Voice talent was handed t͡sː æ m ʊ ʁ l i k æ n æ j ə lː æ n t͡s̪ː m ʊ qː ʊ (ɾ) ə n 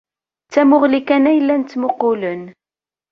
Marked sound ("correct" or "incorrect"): incorrect